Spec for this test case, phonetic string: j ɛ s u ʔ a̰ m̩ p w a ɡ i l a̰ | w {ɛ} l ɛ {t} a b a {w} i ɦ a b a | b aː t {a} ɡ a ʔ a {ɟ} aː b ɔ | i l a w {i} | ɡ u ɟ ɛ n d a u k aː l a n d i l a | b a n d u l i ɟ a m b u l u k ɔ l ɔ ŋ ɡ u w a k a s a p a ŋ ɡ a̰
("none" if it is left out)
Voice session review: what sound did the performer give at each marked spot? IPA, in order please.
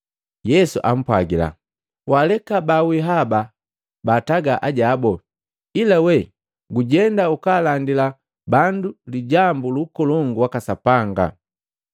a, k, w, a, ɟ, ɛ

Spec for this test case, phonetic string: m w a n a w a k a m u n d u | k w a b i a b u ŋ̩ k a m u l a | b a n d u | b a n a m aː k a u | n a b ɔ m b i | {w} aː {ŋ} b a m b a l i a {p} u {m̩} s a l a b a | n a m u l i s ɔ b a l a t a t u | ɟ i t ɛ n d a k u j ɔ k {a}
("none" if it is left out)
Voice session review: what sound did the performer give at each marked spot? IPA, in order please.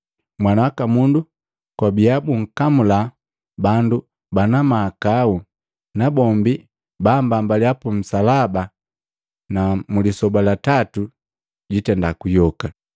b, m, p, m̩, a

